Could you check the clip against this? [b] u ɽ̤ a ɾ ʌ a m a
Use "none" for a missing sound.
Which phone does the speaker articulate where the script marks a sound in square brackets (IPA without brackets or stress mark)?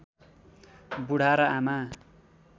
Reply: b